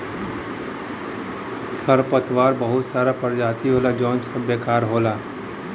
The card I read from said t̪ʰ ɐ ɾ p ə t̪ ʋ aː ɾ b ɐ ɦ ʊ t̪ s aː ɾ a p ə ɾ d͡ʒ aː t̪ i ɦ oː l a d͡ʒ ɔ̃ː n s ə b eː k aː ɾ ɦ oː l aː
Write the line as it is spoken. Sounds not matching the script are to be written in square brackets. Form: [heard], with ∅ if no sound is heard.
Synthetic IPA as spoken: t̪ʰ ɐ ɾ p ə t̪ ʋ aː ɾ b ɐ ɦ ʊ t̪ s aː ɾ a p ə ɾ d͡ʒ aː t̪ i ɦ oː l a d͡ʒ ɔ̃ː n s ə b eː k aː ɾ ɦ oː l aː